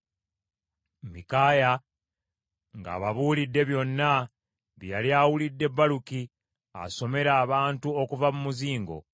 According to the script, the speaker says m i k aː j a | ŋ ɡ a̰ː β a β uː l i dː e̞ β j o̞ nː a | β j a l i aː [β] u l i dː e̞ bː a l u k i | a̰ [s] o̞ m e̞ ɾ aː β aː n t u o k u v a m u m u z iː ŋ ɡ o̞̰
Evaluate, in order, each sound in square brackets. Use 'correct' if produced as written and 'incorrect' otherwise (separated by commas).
incorrect, correct